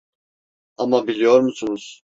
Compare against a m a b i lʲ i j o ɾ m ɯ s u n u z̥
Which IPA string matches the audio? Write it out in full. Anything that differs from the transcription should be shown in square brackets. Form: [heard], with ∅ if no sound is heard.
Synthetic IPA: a m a b i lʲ i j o ɾ m [u] s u n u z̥